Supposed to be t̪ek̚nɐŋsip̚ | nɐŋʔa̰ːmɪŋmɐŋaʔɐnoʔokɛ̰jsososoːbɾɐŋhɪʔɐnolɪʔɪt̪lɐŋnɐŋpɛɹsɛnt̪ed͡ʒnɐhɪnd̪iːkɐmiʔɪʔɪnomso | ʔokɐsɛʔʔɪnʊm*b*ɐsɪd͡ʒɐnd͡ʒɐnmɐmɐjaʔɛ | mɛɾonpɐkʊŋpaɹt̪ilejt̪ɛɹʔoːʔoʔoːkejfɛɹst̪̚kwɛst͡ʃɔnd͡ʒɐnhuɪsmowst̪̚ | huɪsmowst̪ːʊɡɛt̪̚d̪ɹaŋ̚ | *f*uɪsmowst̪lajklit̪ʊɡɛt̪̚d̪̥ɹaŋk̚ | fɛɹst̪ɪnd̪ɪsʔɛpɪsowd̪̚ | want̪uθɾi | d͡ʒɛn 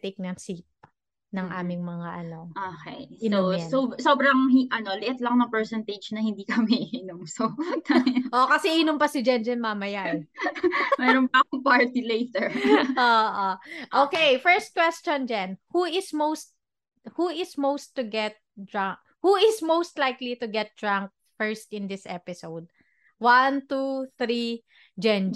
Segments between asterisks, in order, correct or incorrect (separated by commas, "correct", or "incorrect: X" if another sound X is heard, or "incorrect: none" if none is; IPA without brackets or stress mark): incorrect: p, incorrect: h